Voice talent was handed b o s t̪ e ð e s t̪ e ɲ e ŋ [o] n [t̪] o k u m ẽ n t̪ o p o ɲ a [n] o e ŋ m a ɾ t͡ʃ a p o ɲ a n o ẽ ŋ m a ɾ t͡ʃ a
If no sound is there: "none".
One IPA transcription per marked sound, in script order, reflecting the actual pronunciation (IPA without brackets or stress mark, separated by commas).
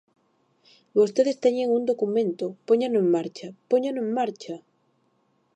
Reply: u, d̪, n